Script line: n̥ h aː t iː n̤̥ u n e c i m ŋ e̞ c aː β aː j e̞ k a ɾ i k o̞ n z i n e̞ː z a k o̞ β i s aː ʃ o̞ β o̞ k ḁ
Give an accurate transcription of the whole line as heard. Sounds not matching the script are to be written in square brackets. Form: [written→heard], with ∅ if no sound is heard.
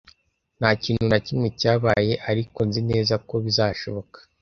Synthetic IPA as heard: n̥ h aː [t→c] iː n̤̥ u n [e→a] c i m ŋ e̞ c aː β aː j e̞ [k→ʔ] a ɾ i k o̞ n z i n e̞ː z a k o̞ β i [s→z] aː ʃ o̞ β o̞ k ḁ